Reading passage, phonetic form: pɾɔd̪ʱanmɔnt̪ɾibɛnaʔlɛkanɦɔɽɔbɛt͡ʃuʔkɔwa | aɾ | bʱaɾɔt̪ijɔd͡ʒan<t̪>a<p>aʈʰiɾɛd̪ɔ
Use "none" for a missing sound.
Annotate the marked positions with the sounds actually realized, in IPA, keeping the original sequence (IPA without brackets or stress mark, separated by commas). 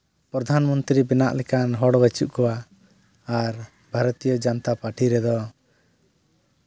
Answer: t̪, p